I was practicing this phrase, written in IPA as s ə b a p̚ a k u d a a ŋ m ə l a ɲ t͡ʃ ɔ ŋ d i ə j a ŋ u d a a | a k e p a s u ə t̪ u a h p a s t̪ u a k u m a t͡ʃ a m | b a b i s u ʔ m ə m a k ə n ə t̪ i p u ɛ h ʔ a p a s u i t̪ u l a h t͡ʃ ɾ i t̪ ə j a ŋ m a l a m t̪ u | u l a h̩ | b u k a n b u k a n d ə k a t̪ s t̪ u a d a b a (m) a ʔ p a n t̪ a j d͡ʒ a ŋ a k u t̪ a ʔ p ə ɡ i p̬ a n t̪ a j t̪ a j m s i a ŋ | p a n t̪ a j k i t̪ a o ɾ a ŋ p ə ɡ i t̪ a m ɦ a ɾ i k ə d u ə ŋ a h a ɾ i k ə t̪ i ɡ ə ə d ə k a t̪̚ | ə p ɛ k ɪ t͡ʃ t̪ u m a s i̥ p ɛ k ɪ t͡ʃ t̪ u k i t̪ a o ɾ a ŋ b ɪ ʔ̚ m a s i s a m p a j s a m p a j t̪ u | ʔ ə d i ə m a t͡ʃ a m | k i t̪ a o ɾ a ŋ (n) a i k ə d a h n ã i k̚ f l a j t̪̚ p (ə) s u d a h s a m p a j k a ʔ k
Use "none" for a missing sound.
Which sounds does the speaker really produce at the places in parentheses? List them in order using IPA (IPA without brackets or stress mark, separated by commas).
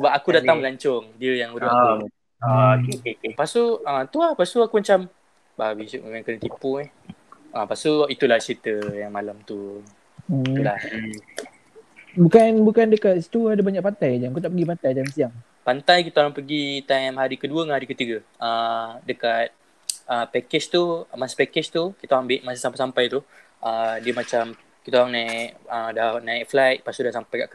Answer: ɲ, n, a